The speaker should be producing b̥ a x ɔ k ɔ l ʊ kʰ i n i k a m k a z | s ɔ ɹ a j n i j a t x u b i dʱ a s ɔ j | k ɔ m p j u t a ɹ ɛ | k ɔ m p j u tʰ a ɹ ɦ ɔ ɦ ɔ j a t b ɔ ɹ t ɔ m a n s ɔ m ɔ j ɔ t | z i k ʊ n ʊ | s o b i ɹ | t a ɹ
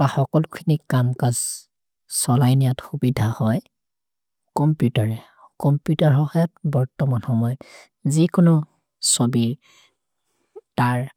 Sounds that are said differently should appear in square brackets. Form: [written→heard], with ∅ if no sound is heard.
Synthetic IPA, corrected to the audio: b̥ a x ɔ k ɔ l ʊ kʰ i n i k a m k a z | s ɔ [ɹ→l] a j n i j a t x u b i dʱ a [s→h] ɔ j | k ɔ m p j u t a ɹ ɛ | k ɔ m p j u [tʰ→t] a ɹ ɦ ɔ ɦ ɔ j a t b ɔ ɹ t ɔ m a n [s→x] ɔ m ɔ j ɔ t | z i k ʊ n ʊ | s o b i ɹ | t a ɹ

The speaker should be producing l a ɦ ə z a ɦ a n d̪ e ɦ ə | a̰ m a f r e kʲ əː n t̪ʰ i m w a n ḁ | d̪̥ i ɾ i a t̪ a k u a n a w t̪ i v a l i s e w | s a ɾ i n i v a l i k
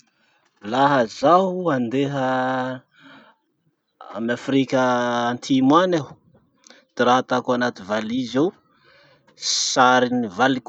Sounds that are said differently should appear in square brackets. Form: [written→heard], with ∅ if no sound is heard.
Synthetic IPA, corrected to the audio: l a ɦ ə z a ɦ a n d̪ e ɦ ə | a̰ m a f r [e→i] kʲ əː n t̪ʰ i m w a n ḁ | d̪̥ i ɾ [i→a] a t̪ a k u a n a [w→∅] t̪ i v a l i [s→z] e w | s a ɾ i n i v a l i k

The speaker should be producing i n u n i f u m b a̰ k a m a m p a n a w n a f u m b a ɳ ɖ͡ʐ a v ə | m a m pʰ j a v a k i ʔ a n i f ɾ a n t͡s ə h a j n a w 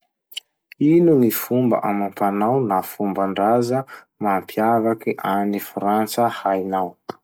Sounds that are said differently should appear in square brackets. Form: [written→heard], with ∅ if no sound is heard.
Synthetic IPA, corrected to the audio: i n u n i f u m b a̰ [k→ʔ] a m a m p a n a w n a f u m b a ɳ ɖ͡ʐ a [v→z] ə | m a m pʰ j a v a k i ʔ a n i f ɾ a n t͡s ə h a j n a w

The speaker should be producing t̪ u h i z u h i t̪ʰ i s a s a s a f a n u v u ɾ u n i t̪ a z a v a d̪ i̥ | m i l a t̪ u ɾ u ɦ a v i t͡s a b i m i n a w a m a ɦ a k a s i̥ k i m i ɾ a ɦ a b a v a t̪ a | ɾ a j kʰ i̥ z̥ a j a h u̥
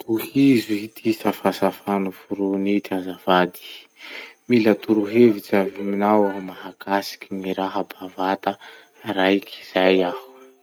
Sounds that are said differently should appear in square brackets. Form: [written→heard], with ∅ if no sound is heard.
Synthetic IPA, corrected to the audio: t̪ u h i z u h i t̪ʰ i s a [s→f] a s a f a n u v u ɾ u n i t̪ a z a v a d̪ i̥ | m i l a t̪ u ɾ u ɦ [a→e] v i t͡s a [b→v] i m i n a w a m a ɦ a k a s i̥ k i m i ɾ a ɦ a b a v a t̪ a | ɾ a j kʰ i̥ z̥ a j a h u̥

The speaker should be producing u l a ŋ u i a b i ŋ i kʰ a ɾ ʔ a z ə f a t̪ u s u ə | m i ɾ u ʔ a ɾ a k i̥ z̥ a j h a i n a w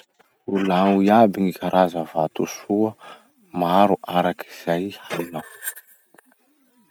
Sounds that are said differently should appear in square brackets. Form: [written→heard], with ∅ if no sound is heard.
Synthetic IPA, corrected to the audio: u l a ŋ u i a b i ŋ i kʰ a ɾ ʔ a z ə [f→v] a t̪ u s u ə | m [i→a] ɾ u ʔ a ɾ a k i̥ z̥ a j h a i n a w

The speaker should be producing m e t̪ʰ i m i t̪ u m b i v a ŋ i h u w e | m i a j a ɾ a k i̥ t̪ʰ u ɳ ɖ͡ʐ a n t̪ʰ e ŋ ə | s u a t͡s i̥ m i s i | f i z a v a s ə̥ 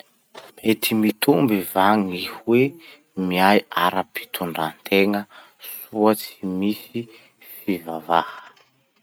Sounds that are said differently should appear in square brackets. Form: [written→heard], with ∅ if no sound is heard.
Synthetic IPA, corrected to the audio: m e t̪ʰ i m i t̪ u m b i v a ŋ i h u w e | m i a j a ɾ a [k→p] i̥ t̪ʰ u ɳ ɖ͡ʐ a n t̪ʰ e ŋ ə | s u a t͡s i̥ m i s i | f i [z→v] a v a [s→h] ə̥

